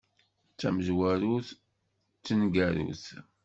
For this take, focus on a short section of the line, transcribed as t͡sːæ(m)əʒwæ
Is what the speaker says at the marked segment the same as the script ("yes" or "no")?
yes